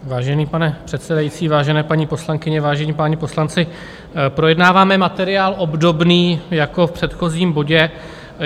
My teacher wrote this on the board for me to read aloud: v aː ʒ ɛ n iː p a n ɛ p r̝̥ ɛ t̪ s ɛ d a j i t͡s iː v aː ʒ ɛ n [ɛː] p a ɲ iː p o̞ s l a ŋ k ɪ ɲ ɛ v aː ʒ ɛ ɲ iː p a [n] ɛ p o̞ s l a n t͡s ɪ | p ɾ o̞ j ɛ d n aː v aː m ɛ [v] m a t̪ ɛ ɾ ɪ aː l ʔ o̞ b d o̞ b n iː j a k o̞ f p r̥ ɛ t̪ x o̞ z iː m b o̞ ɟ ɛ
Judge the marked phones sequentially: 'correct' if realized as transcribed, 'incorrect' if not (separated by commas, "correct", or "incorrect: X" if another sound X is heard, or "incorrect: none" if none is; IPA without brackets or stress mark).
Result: correct, incorrect: ɲ, incorrect: none